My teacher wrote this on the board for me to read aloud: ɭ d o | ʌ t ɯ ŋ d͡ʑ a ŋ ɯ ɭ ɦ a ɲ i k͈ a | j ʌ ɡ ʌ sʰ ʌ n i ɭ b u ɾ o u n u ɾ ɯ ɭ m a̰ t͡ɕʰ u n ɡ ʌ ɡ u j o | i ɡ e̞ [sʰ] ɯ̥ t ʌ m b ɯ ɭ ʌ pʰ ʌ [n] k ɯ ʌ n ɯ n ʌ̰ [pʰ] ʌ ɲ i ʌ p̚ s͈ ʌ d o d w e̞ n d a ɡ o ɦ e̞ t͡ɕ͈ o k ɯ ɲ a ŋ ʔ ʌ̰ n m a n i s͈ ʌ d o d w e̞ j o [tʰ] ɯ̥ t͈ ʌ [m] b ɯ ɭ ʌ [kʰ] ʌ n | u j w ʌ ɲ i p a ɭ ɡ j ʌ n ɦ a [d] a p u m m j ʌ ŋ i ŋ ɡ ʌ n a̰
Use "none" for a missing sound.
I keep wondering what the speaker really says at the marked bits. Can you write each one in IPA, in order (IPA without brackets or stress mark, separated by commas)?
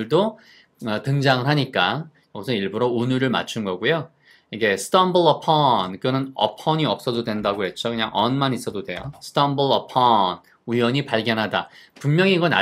sʰ, n, pʰ, sʰ, m, pʰ, d